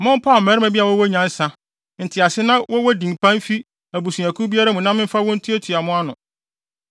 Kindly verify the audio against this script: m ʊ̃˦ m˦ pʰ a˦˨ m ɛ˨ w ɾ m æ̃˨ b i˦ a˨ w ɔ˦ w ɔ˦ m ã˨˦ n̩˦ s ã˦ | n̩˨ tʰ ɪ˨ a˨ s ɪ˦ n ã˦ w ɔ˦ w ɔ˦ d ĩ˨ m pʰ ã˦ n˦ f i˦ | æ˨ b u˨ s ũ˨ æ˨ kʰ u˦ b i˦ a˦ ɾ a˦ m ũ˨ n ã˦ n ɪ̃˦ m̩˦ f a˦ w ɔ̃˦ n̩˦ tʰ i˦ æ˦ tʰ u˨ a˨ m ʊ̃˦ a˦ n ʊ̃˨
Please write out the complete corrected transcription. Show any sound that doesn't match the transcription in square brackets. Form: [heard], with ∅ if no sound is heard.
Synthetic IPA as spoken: m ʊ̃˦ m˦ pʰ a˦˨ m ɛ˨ [∅] ɾ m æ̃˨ b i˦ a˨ w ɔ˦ w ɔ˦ [ɲ] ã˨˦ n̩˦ s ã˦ | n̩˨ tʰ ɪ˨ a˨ s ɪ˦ n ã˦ w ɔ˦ w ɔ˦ d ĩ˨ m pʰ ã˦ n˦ f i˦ | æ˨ b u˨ s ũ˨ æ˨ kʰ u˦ b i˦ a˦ ɾ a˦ m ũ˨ n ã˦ [m] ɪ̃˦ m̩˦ f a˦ w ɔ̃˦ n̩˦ tʰ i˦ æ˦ tʰ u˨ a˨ m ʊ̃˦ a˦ n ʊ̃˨